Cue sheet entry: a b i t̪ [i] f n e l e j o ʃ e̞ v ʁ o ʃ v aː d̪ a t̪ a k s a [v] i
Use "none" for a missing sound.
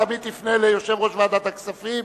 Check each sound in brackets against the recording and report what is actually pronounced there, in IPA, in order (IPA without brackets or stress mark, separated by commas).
i, f